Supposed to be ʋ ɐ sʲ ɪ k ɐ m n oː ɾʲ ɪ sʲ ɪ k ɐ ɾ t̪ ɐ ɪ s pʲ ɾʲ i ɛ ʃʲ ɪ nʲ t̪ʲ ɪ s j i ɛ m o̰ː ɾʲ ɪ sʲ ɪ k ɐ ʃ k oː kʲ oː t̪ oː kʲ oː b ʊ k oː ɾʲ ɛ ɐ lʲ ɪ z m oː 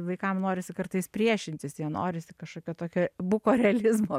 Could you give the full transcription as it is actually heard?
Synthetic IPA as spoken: ʋ ɐ ɪ k ɐ m n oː ɾʲ ɪ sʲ ɪ k ɐ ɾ t̪ ɐ ɪ s pʲ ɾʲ i ɛ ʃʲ ɪ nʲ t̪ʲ ɪ s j i ɛ n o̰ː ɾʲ ɪ sʲ ɪ k ɐ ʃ k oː kʲ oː t̪ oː kʲ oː b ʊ k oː ɾʲ ɛ ɐ lʲ ɪ z m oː